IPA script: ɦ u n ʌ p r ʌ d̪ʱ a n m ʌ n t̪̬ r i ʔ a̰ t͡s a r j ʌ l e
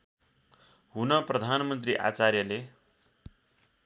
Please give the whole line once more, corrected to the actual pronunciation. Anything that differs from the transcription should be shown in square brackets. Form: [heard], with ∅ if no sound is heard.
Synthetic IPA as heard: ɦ u n ʌ p r ʌ d̪ʱ a n m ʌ n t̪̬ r i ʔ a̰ t͡s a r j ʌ l e